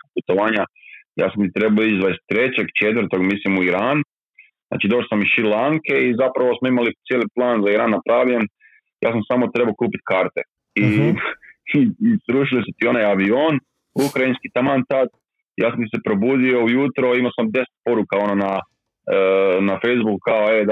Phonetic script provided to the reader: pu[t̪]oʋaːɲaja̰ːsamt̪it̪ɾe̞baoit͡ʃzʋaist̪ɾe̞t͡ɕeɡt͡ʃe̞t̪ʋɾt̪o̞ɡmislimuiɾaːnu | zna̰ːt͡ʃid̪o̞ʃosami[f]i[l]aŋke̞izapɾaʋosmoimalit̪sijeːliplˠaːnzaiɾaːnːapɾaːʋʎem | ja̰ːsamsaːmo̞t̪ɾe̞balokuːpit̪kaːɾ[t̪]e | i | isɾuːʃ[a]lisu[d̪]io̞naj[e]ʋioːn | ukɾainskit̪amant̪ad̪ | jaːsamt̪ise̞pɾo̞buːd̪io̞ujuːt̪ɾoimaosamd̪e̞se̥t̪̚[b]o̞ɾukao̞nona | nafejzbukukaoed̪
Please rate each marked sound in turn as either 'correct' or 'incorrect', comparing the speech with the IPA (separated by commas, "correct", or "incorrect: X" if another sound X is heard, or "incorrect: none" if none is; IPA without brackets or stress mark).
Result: correct, incorrect: ʃ, correct, correct, incorrect: i, incorrect: t̪, incorrect: a, incorrect: p